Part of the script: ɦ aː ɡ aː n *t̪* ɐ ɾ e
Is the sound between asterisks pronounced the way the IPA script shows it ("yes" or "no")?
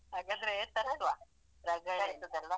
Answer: no